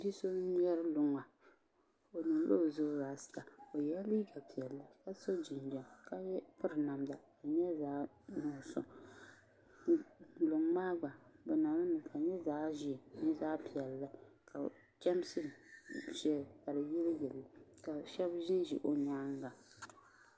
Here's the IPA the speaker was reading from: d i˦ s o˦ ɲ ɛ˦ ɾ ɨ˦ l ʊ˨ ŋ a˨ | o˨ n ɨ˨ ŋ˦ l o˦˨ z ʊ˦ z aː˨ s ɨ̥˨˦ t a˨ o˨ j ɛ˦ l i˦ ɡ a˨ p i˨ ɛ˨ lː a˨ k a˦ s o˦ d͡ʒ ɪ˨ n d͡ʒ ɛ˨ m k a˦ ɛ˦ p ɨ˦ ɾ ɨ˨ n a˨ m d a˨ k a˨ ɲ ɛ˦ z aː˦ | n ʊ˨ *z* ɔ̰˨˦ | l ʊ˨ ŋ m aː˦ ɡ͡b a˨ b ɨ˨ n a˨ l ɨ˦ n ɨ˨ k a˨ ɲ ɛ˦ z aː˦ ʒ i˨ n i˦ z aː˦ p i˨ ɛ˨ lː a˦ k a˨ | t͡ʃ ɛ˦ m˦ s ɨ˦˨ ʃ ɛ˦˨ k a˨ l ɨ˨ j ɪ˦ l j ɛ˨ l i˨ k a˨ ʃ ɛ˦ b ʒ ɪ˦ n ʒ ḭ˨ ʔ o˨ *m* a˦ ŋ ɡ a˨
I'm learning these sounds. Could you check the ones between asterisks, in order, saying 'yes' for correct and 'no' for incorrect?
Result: no, no

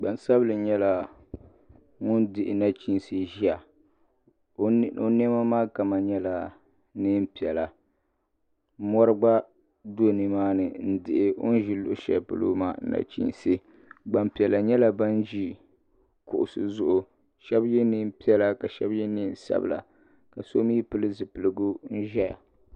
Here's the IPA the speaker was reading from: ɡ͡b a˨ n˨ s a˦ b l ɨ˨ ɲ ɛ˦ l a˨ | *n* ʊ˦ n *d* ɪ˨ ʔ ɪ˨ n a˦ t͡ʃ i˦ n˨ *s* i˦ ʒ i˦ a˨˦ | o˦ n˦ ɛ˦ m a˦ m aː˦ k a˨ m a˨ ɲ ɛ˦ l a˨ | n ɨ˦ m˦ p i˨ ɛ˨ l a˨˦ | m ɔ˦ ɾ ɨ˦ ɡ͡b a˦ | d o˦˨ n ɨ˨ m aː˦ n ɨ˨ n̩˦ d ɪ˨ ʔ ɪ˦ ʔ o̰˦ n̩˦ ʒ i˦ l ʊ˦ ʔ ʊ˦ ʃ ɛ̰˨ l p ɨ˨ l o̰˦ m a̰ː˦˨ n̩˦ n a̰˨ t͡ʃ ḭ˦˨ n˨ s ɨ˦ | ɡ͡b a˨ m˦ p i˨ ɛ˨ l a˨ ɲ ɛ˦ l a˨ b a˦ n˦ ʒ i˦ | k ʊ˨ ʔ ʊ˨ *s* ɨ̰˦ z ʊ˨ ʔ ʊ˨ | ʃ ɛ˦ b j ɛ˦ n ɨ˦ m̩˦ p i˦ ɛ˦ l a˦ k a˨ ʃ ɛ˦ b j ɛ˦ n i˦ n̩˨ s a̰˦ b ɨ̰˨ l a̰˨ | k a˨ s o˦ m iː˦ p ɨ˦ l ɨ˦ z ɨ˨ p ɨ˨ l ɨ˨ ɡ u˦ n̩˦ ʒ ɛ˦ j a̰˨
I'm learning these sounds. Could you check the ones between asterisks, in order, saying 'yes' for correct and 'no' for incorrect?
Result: no, yes, yes, yes

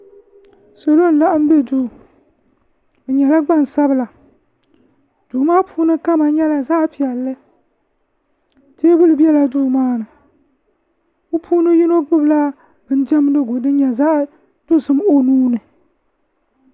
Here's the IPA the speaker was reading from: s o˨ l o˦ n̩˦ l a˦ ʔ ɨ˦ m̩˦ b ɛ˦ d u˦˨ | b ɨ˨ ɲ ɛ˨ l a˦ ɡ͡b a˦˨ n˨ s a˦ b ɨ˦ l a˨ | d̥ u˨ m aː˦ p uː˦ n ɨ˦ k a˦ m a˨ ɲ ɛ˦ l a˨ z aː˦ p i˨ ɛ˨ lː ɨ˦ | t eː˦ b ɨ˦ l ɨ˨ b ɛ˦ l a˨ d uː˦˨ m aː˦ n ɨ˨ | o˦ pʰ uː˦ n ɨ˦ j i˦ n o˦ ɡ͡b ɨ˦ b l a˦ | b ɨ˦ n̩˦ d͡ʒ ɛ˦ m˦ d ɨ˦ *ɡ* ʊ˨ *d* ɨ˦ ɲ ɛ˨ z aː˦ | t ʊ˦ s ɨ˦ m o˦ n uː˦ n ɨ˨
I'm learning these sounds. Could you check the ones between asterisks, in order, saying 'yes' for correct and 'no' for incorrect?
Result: yes, yes

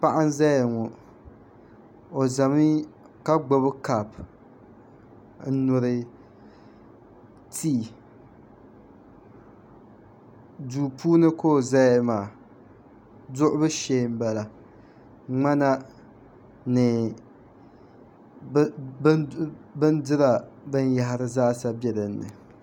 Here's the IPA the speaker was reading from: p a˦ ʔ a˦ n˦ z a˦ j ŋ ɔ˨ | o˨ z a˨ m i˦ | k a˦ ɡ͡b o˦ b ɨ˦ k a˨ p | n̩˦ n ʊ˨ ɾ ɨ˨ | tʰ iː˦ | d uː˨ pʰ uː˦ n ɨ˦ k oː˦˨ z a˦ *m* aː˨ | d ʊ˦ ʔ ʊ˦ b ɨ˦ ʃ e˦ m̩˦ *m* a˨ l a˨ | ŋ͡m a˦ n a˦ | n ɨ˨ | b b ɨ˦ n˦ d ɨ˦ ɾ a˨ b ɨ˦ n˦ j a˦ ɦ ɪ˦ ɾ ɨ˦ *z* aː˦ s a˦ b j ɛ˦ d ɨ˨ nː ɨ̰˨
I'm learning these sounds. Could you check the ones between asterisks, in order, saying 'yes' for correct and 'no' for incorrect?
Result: yes, no, yes

